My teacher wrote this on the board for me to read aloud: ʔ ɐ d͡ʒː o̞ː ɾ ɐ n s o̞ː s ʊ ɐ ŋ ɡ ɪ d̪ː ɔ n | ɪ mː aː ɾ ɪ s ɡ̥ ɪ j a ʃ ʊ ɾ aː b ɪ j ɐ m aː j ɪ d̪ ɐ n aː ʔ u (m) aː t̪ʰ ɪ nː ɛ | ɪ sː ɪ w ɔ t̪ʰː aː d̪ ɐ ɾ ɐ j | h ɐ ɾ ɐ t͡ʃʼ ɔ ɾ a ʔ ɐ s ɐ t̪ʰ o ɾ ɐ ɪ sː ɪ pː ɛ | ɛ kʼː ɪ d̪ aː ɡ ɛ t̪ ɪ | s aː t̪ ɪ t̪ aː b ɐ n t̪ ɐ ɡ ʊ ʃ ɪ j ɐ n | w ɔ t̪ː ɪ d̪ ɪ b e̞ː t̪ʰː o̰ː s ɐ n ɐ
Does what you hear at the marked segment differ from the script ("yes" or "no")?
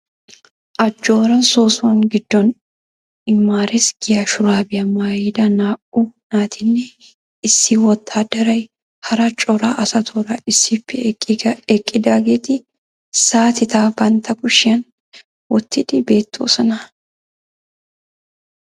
yes